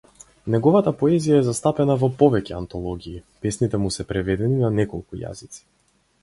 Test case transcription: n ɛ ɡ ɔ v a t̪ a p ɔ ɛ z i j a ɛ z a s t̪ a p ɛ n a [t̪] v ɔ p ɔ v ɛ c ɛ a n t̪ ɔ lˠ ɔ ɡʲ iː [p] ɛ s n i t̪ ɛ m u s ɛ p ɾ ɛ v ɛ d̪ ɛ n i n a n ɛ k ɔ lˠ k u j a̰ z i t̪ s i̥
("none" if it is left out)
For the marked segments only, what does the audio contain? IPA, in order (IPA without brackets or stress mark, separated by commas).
none, p